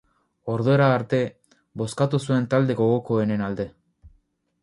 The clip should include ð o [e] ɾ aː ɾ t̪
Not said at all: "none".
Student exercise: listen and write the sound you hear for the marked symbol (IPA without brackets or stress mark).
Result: e